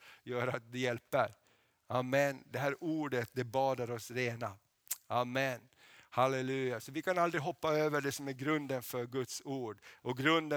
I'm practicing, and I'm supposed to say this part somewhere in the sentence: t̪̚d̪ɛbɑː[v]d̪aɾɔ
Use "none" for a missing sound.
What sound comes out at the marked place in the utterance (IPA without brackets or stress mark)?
none